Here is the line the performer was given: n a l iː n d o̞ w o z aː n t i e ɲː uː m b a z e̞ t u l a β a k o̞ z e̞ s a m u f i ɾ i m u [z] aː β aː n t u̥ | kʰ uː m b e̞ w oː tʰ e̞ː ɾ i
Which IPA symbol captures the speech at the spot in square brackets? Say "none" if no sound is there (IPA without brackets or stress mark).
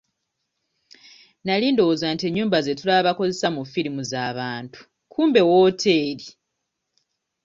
z